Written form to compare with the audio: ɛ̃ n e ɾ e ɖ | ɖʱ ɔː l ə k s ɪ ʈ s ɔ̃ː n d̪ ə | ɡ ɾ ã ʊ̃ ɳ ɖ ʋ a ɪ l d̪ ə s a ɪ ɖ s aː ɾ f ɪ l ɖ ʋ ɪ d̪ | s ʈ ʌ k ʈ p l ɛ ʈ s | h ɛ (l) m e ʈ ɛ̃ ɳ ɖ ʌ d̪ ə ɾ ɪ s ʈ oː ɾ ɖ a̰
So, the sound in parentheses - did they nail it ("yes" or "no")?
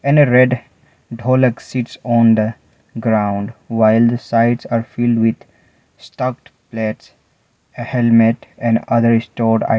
yes